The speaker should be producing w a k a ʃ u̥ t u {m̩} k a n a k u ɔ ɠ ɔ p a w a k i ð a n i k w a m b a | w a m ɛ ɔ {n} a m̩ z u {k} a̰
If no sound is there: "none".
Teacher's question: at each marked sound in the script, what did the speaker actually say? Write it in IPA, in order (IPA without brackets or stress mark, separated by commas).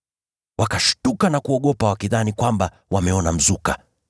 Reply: none, n, k